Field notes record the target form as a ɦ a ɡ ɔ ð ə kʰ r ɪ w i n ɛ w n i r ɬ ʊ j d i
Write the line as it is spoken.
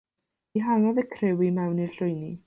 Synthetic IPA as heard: i ɦ a ŋ ɔ ð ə kʰ r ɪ w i m ɛ w n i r ɬ ʊ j n i